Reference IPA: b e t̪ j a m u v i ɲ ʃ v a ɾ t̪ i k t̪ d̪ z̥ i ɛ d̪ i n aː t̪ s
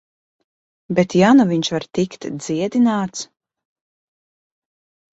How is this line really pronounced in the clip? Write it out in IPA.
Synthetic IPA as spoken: b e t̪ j a n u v i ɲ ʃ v a ɾ t̪ i k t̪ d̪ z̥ i ɛ d̪ i n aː t̪ s